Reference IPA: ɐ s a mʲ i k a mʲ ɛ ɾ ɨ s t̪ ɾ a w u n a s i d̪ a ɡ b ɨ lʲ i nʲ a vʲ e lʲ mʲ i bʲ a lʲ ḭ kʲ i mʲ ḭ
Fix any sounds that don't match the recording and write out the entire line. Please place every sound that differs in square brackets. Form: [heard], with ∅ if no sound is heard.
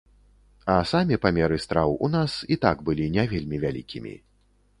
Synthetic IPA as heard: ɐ s a mʲ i [p] a mʲ ɛ ɾ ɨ s t̪ ɾ a w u n a s i [t̪] a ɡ b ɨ lʲ i nʲ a vʲ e lʲ mʲ i [vʲ] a lʲ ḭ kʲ i mʲ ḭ